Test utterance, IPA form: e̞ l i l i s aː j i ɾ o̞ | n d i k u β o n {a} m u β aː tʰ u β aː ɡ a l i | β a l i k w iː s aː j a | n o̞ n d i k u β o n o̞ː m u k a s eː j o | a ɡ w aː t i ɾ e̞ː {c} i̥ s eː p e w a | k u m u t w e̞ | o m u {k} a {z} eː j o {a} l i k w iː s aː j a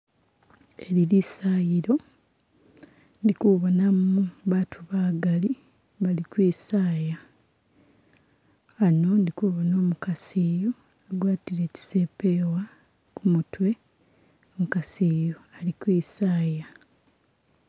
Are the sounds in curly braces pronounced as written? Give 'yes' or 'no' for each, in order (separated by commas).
yes, yes, yes, no, yes